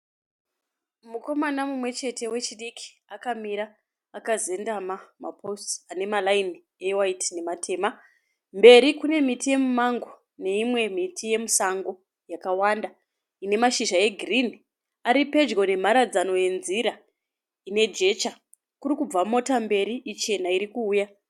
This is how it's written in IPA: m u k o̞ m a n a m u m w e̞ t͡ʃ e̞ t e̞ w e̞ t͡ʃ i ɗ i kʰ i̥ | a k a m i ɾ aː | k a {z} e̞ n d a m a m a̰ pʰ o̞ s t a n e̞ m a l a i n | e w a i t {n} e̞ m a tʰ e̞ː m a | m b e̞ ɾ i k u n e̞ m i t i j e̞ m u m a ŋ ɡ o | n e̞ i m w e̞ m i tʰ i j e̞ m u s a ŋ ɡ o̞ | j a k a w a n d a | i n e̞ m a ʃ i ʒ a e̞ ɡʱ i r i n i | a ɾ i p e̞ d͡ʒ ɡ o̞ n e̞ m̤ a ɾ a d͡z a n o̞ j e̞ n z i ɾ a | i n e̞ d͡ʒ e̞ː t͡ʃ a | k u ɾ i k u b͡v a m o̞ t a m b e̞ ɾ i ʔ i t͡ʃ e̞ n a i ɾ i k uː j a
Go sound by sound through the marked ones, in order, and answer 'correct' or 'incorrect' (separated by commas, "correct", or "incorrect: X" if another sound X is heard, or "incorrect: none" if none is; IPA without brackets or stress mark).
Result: correct, correct